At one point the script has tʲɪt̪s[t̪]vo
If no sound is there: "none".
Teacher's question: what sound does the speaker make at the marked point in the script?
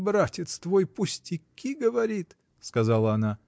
t̪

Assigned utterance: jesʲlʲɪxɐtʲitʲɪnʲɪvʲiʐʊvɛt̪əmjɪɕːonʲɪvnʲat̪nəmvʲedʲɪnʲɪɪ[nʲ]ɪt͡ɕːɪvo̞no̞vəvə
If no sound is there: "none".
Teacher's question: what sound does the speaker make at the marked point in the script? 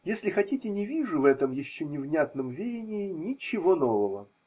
nʲ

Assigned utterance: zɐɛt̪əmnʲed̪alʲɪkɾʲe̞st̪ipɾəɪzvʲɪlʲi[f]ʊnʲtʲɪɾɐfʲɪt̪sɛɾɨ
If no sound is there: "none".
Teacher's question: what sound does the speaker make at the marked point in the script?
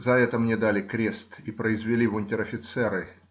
v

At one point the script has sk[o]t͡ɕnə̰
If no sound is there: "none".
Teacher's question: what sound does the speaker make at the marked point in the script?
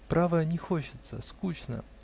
u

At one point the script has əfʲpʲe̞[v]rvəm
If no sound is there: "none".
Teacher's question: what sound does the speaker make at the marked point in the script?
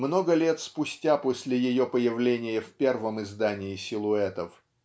none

